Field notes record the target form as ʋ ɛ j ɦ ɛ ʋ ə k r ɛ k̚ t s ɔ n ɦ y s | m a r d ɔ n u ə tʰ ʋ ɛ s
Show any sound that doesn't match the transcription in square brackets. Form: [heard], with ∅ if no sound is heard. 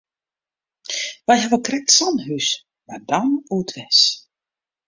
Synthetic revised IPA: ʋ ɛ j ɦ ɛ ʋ ə k r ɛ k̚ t s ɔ n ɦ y s | m a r d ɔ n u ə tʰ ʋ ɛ s